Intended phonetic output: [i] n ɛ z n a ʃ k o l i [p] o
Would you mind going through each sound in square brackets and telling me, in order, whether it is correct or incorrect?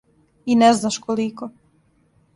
correct, incorrect: k

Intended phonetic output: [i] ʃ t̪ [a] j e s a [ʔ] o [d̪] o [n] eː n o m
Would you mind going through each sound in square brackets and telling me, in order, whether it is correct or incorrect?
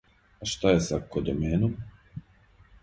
incorrect: a, correct, incorrect: k, correct, incorrect: m

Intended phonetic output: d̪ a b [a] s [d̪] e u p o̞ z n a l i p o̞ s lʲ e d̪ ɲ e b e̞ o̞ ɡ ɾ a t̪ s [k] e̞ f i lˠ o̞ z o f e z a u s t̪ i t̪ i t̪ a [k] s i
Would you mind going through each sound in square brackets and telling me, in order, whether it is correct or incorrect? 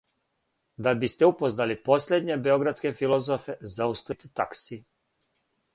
incorrect: i, incorrect: t̪, correct, correct

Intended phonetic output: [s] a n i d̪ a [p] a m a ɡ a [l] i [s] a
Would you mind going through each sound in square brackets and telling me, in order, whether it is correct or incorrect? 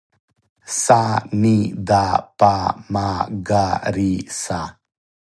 correct, correct, incorrect: ɾ, correct

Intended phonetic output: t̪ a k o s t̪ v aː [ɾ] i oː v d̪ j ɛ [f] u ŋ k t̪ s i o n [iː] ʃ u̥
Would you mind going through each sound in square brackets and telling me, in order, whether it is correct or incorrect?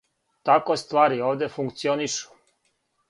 correct, correct, incorrect: i

